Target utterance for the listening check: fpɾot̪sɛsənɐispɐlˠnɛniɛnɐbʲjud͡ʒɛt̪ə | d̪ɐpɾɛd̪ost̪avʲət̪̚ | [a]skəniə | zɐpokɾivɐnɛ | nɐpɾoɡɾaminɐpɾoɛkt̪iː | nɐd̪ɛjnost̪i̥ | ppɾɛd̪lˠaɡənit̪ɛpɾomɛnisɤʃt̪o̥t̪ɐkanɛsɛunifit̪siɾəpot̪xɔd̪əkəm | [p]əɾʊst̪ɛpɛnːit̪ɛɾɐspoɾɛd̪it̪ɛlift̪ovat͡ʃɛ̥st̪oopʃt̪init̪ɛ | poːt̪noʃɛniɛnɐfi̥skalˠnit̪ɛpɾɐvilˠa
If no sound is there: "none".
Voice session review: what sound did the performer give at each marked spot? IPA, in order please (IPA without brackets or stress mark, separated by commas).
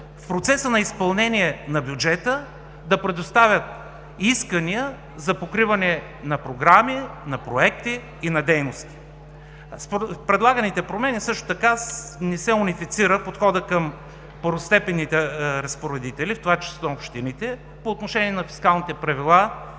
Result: i, p